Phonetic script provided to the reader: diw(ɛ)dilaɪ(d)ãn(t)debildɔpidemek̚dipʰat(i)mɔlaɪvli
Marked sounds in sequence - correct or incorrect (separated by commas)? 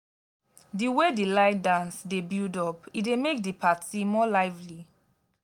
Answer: incorrect, correct, incorrect, correct